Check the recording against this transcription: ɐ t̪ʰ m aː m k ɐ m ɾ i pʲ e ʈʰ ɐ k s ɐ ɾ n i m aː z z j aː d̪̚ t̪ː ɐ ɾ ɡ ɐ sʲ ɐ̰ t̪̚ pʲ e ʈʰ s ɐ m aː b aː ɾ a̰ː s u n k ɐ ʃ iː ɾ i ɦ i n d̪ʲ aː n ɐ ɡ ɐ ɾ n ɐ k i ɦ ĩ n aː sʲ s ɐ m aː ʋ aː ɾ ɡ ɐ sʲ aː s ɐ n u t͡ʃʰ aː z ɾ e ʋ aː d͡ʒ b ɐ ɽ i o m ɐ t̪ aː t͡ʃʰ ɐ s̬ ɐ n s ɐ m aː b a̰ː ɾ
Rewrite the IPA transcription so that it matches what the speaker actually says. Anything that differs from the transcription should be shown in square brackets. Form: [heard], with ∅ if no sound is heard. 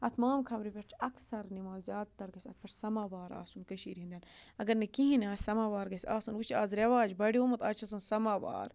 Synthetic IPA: ɐ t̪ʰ m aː m [kʰ] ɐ m ɾ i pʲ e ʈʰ ɐ k s ɐ ɾ n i m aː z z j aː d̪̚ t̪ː ɐ ɾ ɡ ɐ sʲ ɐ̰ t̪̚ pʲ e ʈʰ s ɐ m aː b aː ɾ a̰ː s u n k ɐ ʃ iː ɾ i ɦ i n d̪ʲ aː n ɐ ɡ ɐ ɾ n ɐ k i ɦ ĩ n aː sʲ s ɐ m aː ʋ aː ɾ ɡ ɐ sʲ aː s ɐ n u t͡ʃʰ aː z ɾ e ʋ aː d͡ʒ b ɐ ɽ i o m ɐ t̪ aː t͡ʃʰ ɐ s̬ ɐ n s ɐ m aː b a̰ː ɾ